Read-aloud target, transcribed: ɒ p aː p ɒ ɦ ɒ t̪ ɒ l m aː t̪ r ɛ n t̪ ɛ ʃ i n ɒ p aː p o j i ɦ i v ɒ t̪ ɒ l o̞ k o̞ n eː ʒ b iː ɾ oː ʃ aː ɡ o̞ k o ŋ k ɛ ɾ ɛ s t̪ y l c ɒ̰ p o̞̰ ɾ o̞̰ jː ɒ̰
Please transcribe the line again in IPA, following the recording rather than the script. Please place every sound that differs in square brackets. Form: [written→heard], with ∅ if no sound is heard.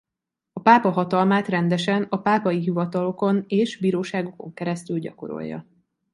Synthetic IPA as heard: ɒ p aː p ɒ ɦ ɒ t̪ ɒ l m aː t̪ r ɛ n [t̪→d̪] ɛ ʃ [i→ɛ] n ɒ p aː p [o→ɒ] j i ɦ i v ɒ t̪ ɒ l o̞ k o̞ n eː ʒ b iː ɾ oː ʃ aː ɡ o̞ k o ŋ k ɛ ɾ ɛ s t̪ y l [c→ɟ] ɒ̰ [p→k] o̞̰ ɾ o̞̰ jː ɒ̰